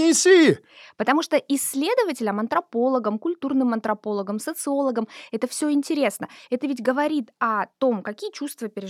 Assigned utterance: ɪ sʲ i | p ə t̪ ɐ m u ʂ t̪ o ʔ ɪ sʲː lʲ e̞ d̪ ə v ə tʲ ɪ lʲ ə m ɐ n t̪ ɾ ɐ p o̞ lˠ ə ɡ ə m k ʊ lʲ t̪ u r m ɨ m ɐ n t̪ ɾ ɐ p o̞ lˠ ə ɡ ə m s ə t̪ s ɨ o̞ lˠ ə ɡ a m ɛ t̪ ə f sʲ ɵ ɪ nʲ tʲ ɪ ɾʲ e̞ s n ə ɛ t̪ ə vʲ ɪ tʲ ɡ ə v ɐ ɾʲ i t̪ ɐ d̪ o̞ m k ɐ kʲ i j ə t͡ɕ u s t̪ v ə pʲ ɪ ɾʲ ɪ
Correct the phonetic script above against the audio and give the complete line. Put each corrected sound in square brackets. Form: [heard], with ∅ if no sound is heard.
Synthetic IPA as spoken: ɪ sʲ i | p ə t̪ ɐ m u ʂ t̪ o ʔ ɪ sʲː lʲ e̞ d̪ ə v ə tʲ ɪ lʲ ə m ɐ n t̪ ɾ ɐ p o̞ lˠ ə ɡ ə m k ʊ lʲ t̪ u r [n] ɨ m ɐ n t̪ ɾ ɐ p o̞ lˠ ə ɡ ə m s ə t̪ s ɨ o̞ lˠ ə ɡ [ə] m ɛ t̪ ə f sʲ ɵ ɪ nʲ tʲ ɪ ɾʲ e̞ s n ə ɛ t̪ ə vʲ ɪ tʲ ɡ ə v ɐ ɾʲ i t̪ ɐ [t̪] o̞ m k ɐ kʲ i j ə t͡ɕ u s t̪ v ə pʲ ɪ ɾʲ ɪ